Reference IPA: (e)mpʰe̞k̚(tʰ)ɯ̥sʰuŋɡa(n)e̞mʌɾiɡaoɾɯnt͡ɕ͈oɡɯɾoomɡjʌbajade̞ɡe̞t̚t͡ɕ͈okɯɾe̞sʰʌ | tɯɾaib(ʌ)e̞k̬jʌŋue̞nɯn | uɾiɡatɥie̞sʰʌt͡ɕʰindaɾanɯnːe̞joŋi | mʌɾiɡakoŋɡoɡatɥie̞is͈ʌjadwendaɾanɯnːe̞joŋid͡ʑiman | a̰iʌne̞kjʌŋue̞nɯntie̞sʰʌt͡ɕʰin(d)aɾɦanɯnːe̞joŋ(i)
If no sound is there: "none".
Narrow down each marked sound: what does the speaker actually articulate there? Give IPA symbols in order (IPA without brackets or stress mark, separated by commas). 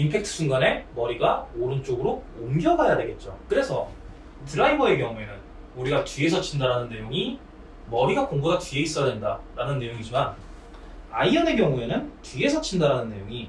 i, tʰ, n, ʌ, d, i